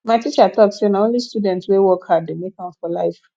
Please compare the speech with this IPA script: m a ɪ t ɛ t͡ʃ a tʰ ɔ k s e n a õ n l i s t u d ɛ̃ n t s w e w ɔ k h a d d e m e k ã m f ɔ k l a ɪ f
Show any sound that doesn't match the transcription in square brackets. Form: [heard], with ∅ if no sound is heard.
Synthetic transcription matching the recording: m a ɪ t [i] t͡ʃ a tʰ ɔ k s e n a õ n l i s t u d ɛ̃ n t s w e w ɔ k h a d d e m e k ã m f ɔ [∅] l a ɪ f